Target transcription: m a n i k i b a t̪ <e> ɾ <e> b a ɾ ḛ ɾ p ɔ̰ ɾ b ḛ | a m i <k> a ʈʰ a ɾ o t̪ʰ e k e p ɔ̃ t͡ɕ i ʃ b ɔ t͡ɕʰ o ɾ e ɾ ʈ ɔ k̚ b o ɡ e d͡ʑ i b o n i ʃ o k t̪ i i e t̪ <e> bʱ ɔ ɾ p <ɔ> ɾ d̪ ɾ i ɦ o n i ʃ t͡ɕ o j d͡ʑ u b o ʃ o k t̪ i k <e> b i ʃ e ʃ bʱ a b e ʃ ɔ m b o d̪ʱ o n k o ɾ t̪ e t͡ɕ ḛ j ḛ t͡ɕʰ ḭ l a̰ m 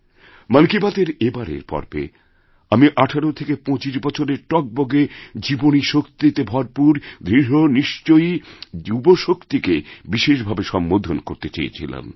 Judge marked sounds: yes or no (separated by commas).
yes, yes, no, yes, no, yes